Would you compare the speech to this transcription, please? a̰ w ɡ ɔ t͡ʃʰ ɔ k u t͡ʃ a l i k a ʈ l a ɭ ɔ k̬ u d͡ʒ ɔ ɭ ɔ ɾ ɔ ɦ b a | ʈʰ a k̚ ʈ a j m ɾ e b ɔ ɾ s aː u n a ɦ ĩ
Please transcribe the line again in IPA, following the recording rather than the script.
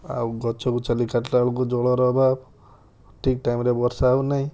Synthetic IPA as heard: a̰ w ɡ ɔ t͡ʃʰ ɔ k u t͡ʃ a l i k a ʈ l a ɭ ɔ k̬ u d͡ʒ ɔ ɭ ɔ ɾ ɔ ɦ b a | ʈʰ i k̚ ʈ a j m ɾ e b ɔ ɾ s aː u n a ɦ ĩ